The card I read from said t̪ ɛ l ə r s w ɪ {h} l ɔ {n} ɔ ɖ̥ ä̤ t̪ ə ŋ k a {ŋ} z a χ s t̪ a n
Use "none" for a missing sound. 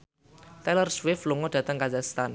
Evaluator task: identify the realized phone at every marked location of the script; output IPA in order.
f, ŋ, none

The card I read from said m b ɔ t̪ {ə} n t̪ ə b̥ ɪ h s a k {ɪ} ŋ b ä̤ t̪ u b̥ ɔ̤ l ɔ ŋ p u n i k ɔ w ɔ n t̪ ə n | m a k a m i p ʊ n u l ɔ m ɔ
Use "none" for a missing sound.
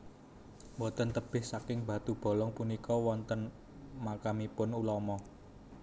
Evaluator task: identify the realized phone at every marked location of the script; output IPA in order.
ə, ɪ

